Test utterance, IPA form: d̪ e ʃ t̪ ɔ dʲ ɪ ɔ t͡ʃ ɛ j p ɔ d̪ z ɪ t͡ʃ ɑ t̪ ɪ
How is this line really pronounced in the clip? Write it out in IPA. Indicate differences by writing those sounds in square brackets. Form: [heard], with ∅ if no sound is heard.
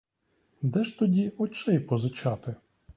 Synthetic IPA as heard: d̪ [ɛ] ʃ t̪ ɔ dʲ [i] ɔ t͡ʃ ɛ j p ɔ [∅] z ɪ t͡ʃ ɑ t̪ ɪ